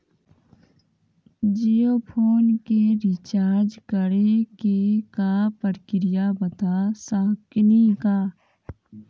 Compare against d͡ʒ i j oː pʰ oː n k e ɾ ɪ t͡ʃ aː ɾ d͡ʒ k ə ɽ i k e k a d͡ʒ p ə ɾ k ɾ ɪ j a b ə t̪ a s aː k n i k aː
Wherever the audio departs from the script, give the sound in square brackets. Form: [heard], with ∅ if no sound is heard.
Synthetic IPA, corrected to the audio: d͡ʒ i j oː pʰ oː n k e ɾ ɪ t͡ʃ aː ɾ d͡ʒ k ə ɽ [e] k e k a [∅] p ə ɾ k ɾ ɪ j a b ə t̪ a s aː k n i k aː